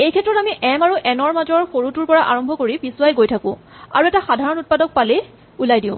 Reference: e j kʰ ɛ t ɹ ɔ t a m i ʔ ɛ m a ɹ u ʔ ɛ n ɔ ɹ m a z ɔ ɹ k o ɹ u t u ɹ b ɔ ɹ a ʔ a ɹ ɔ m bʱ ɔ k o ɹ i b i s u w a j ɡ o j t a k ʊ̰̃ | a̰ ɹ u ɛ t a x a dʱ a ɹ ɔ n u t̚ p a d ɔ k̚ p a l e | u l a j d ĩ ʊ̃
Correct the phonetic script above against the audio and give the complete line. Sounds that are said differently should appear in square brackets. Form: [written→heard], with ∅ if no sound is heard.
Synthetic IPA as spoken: e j kʰ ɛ t ɹ ɔ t a m i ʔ ɛ m a ɹ u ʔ ɛ n ɔ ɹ m a z ɔ ɹ [k→x] o ɹ u t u ɹ [b→p] ɔ ɹ a ʔ a ɹ ɔ m bʱ ɔ k o ɹ i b i s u w a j ɡ o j [t→tʰ] a k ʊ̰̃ | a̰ ɹ u ɛ t a x a dʱ a ɹ ɔ n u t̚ p a d ɔ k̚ p a l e | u l a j d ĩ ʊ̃